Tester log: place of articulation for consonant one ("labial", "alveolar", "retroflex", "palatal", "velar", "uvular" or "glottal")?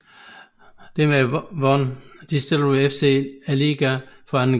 alveolar